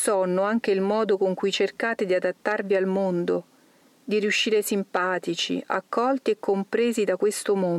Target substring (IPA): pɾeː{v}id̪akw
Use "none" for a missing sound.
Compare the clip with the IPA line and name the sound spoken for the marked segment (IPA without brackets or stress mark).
z